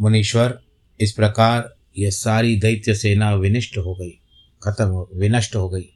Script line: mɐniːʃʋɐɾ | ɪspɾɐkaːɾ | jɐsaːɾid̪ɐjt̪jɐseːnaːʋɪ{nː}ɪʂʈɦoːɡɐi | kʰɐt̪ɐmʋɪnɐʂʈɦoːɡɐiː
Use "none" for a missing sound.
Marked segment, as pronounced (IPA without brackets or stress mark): n